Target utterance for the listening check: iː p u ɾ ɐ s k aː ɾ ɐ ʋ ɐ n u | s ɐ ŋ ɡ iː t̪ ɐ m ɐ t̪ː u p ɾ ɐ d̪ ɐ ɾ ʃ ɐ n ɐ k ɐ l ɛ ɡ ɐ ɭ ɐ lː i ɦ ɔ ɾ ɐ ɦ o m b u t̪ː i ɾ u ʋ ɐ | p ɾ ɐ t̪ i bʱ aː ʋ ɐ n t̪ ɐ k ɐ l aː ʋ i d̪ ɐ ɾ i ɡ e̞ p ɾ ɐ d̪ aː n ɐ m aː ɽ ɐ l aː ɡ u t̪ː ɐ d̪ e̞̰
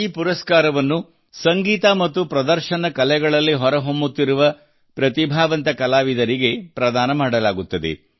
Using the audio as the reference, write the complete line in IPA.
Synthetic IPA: iː p u ɾ ɐ s k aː ɾ ɐ ʋ ɐ nː u | s ɐ ŋ ɡ iː t̪ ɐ m ɐ t̪ː u p ɾ ɐ d̪ ɐ ɾ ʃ ɐ n ɐ k ɐ l ɛ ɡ ɐ ɭ ɐ lː i ɦ ɔ ɾ ɐ ɦ o m b u t̪ː i ɾ u ʋ ɐ | p ɾ ɐ t̪ i bʱ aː ʋ ɐ n t̪ ɐ k ɐ l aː ʋ i d̪ ɐ ɾ i ɡ e̞ p ɾ ɐ d̪ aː n ɐ m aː ɽ ɐ l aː ɡ u t̪ː ɐ d̪ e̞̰